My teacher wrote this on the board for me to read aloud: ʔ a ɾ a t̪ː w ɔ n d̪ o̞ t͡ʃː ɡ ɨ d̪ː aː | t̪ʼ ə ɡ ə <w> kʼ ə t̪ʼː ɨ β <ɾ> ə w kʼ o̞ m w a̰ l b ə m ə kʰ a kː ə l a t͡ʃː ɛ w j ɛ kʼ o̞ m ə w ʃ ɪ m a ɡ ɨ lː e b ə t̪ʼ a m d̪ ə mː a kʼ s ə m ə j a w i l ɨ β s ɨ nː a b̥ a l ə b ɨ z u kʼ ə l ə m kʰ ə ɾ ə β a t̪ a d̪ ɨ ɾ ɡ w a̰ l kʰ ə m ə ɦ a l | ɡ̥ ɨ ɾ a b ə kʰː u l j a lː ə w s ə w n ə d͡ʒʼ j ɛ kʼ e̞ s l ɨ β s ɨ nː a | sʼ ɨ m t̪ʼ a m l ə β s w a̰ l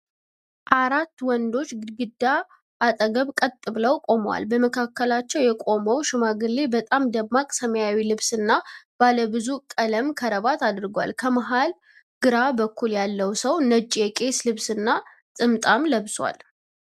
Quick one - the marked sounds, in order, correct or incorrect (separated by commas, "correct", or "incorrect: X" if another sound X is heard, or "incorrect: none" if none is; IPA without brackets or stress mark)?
incorrect: β, incorrect: l